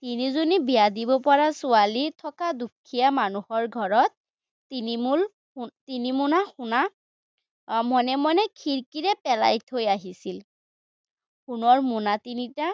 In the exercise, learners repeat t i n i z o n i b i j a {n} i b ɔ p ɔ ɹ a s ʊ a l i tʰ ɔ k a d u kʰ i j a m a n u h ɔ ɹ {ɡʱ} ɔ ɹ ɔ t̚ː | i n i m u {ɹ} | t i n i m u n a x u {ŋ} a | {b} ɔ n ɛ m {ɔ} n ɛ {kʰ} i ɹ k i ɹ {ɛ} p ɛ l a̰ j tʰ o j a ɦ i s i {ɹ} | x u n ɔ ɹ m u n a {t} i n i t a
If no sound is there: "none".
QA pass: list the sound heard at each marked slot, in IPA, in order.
d, ɡʱ, l, n, m, ɔ, kʰ, ɛ, l, t

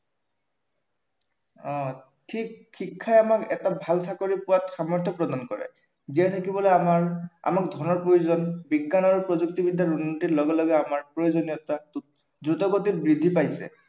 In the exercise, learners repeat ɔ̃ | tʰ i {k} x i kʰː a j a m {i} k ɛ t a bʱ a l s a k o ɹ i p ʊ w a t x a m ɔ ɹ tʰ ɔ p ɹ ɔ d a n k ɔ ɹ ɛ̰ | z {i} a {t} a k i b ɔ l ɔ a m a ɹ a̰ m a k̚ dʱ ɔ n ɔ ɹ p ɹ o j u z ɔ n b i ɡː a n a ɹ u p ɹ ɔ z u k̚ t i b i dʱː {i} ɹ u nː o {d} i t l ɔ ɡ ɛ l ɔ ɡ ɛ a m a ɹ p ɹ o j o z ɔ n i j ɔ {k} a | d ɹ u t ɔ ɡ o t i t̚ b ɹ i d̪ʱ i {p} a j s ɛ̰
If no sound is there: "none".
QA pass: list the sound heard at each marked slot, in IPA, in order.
k, a, i, tʰ, a, t, t, p

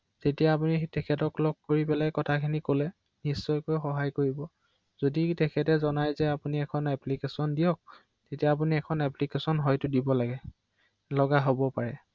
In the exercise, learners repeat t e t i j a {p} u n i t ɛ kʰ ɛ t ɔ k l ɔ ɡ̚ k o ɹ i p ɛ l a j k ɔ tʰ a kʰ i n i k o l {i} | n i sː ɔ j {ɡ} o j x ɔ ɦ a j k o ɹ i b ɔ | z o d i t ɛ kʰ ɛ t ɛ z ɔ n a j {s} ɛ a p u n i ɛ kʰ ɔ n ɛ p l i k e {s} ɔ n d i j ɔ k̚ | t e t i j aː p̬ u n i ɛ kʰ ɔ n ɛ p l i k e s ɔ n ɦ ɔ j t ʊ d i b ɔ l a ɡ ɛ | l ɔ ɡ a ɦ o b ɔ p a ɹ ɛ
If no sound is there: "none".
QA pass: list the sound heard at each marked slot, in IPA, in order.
p, ɛ, k, z, s

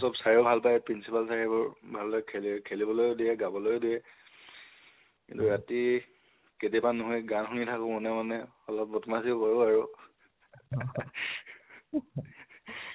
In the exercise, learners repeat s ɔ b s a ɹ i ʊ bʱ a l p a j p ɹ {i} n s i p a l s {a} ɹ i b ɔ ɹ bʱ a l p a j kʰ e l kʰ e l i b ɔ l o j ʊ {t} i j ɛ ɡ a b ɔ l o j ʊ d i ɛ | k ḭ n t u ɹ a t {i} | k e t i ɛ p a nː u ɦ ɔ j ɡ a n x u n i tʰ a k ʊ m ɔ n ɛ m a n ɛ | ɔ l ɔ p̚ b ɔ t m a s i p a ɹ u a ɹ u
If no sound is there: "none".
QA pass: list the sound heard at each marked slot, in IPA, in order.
i, a, d, i

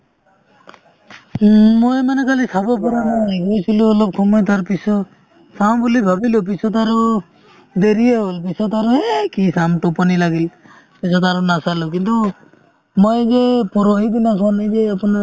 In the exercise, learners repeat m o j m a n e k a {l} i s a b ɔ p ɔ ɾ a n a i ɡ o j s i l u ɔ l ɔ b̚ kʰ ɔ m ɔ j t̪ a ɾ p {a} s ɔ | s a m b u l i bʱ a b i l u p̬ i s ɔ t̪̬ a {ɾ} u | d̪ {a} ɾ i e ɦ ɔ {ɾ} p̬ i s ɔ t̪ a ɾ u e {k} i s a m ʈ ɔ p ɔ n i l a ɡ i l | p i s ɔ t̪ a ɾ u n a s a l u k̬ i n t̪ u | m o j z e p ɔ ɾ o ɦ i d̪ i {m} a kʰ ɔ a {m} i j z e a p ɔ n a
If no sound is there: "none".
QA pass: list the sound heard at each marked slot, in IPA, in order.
l, i, ɾ, e, l, k, n, n

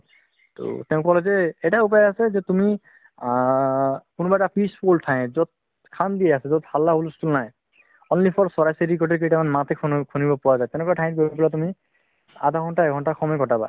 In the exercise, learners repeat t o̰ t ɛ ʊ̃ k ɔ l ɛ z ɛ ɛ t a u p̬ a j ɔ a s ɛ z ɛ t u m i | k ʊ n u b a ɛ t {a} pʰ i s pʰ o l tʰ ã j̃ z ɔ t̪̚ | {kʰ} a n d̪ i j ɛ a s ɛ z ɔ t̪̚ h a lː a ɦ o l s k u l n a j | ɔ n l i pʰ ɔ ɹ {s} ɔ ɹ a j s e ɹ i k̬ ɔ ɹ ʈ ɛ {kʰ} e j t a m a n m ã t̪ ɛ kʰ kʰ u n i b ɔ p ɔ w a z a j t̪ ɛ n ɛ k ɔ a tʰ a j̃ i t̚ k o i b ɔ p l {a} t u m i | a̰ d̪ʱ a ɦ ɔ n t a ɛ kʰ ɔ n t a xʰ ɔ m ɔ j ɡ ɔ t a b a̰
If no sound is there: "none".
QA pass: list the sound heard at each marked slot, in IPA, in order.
a, kʰ, s, k, a

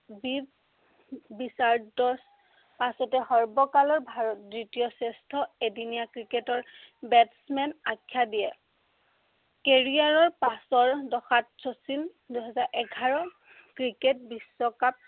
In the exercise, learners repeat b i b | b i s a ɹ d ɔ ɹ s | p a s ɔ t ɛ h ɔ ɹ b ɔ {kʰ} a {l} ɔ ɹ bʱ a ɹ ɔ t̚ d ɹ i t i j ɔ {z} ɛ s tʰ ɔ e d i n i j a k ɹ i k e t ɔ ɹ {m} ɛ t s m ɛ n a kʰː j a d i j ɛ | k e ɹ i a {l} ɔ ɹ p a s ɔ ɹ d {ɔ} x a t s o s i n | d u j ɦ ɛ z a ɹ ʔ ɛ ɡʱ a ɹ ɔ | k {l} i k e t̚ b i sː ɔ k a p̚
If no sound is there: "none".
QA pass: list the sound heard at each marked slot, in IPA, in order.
k, l, s, b, ɹ, ɔ, ɹ

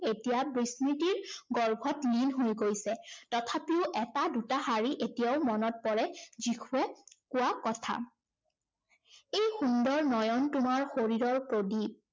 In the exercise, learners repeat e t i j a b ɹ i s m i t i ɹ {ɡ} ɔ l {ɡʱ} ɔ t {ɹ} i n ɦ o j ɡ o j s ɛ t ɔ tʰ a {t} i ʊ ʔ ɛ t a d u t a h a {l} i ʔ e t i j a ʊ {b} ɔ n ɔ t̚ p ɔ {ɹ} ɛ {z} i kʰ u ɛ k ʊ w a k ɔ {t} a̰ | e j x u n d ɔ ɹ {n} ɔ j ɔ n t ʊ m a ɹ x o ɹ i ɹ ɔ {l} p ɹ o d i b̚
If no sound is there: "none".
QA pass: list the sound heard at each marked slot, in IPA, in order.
ɡ, bʱ, l, p, ɹ, m, ɹ, z, tʰ, n, ɹ

